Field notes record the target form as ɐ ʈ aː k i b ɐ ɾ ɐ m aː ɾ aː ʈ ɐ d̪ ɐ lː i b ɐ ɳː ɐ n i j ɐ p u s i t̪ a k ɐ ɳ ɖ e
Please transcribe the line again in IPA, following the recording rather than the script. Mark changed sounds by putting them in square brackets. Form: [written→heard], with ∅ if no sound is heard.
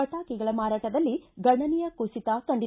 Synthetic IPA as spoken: ɐ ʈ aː k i [b→ɡ] ɐ [ɾ→ɭ] ɐ m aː ɾ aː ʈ ɐ d̪ ɐ lː i [b→ɡ] ɐ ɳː ɐ n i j ɐ [p→k] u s i t̪ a k ɐ ɳ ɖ [e→i]